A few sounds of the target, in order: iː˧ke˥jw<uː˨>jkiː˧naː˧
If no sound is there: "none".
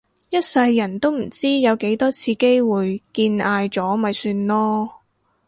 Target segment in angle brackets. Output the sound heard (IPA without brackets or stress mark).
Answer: uː˨